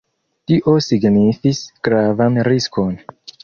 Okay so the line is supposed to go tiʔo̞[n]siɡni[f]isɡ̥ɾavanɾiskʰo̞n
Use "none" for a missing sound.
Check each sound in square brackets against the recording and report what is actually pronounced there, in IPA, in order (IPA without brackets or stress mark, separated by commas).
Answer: none, f